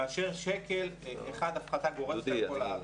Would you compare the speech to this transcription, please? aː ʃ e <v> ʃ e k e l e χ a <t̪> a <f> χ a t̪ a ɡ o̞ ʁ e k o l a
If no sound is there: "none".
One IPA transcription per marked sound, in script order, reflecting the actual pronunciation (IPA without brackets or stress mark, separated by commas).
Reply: ʁ, d̪, f